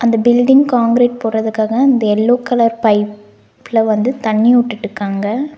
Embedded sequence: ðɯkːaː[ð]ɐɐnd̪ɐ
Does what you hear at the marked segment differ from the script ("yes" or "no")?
yes